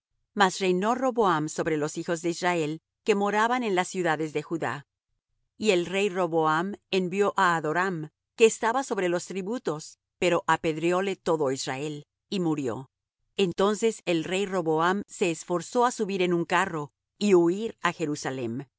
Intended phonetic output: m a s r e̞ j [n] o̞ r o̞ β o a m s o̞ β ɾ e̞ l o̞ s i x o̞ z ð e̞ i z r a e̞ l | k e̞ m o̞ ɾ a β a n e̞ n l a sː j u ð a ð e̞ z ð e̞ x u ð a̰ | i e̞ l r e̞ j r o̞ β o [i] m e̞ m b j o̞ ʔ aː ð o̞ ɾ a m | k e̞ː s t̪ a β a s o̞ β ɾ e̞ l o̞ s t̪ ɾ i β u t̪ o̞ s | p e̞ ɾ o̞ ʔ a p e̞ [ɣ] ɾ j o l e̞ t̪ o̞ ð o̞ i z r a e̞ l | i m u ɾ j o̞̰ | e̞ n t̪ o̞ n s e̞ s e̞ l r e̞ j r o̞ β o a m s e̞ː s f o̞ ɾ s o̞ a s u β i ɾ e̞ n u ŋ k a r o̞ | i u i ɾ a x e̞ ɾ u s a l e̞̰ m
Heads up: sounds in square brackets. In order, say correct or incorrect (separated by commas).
correct, incorrect, incorrect